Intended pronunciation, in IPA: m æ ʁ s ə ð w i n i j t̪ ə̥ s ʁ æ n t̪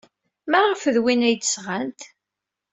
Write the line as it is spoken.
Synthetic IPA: m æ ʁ f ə ð w i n æ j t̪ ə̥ s ʁ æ n t̪